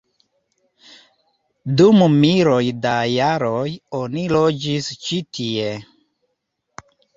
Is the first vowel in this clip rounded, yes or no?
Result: yes